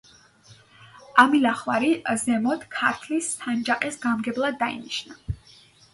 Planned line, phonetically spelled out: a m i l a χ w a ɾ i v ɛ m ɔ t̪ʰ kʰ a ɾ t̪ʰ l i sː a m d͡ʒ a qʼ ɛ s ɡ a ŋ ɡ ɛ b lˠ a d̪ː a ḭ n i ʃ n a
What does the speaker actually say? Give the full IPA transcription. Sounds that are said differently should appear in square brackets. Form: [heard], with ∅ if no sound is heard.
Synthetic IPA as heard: a m i l a χ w a ɾ i [z] ɛ m ɔ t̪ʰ kʰ a ɾ t̪ʰ l i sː a [n] d͡ʒ a qʼ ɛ s ɡ a [m] ɡ ɛ b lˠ a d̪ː a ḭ n i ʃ n a